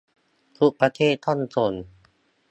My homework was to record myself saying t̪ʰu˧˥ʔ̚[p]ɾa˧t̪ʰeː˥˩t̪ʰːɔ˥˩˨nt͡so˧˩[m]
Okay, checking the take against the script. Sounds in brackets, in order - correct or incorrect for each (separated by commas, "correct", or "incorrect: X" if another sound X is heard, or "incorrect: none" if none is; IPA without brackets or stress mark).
correct, incorrect: n